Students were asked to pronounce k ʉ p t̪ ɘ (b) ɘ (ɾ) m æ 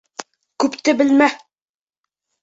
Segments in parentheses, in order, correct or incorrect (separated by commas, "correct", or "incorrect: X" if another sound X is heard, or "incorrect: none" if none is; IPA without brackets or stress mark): correct, incorrect: l